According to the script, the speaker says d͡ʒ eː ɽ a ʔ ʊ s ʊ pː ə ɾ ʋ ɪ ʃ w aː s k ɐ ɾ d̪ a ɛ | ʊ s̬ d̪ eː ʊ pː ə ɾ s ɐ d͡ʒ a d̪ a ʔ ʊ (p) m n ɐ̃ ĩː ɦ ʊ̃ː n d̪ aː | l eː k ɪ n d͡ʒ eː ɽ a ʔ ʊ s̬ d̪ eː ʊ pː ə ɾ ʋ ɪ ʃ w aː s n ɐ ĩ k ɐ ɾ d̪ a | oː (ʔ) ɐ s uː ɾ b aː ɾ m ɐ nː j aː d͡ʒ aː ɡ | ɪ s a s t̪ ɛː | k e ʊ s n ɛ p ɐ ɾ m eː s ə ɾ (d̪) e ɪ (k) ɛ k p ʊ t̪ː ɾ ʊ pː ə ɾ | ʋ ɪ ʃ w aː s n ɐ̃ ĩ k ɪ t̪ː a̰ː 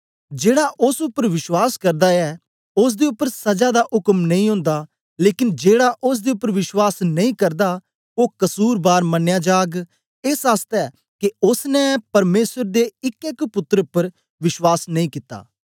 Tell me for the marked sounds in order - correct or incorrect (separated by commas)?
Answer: incorrect, incorrect, correct, correct